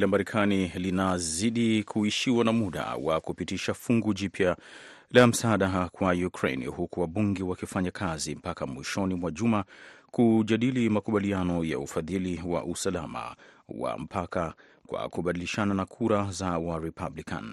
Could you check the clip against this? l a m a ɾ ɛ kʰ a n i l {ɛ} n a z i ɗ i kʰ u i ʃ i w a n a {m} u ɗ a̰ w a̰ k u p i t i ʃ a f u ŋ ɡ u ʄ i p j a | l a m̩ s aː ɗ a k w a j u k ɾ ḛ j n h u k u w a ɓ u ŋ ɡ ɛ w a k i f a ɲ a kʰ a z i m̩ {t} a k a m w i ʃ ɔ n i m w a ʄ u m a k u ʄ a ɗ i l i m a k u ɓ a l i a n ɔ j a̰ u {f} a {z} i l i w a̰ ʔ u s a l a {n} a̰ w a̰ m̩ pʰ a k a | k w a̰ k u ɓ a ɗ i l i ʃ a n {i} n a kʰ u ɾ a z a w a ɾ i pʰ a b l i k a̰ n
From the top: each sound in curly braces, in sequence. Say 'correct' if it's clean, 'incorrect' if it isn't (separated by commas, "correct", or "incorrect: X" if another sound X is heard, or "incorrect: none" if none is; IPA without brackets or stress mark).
incorrect: i, correct, incorrect: p, correct, incorrect: ð, incorrect: m, incorrect: a